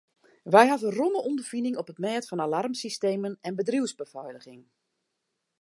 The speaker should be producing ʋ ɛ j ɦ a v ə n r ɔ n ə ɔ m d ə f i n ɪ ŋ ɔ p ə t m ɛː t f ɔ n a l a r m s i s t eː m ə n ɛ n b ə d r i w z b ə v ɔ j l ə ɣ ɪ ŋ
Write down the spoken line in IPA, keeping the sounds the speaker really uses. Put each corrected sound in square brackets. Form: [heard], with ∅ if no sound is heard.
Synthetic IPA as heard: ʋ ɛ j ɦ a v ə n r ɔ n ə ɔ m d ə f i n ɪ ŋ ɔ p ə t m ɛː t f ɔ n a l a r m s i s t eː m ə n ɛ n b ə d r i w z b ə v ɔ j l ə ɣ ɪ ŋ